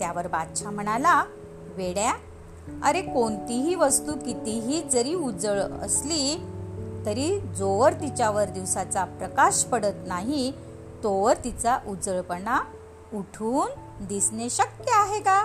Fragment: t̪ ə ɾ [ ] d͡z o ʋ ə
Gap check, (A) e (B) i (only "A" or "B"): B